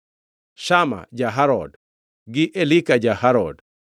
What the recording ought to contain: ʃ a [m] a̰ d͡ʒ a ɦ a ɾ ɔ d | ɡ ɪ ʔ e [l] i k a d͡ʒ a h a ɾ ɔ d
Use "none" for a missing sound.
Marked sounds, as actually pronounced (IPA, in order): m, l

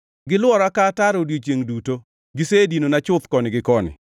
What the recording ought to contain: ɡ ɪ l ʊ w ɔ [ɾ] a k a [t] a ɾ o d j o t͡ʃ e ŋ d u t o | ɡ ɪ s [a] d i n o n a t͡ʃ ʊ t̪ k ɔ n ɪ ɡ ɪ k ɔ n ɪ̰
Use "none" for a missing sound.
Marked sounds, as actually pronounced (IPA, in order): ɾ, t, e

